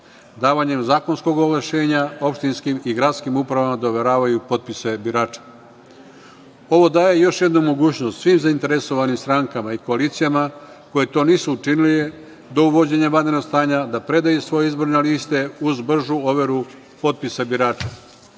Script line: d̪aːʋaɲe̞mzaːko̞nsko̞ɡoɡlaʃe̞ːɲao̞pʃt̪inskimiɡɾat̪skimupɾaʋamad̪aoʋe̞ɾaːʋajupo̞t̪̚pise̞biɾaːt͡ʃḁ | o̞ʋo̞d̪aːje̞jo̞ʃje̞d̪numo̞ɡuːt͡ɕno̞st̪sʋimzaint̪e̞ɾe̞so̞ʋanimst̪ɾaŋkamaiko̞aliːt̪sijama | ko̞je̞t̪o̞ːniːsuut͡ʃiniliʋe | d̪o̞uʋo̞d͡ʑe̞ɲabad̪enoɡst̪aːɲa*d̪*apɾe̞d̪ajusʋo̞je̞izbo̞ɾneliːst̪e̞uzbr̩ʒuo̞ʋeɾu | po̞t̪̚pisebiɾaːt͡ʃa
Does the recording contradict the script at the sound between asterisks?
no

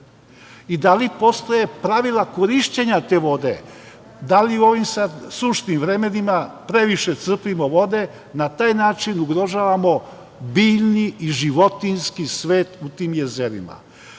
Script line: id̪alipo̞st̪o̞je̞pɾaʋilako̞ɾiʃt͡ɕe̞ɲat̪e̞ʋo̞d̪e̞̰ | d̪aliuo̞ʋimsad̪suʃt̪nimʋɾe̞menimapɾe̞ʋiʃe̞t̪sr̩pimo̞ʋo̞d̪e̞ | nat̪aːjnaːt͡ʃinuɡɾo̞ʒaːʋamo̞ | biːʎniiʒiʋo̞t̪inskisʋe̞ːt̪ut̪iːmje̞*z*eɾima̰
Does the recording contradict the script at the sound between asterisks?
no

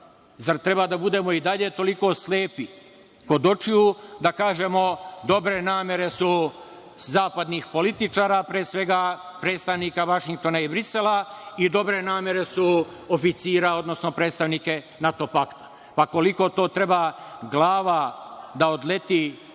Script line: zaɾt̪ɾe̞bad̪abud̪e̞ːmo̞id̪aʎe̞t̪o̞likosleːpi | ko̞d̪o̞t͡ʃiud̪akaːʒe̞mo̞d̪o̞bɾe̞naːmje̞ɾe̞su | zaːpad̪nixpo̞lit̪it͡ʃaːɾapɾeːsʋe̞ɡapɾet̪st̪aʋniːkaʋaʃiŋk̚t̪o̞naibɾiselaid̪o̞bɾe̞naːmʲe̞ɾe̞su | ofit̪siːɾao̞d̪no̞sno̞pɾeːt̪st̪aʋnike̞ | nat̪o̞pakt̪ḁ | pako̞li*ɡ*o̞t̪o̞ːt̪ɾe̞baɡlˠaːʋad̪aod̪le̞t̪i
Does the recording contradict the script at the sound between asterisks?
yes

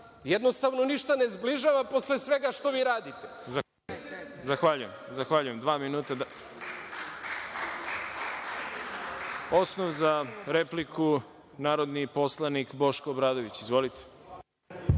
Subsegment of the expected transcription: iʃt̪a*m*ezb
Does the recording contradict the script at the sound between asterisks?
yes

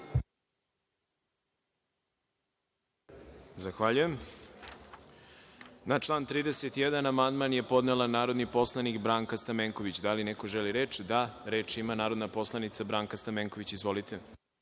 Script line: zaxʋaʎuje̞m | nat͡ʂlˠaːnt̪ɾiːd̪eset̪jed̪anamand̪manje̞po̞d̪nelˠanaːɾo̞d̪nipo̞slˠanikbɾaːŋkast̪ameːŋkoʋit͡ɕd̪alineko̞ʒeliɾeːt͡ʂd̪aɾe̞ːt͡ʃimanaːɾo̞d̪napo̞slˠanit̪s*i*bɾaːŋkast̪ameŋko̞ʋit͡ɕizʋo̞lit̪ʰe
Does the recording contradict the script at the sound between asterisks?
yes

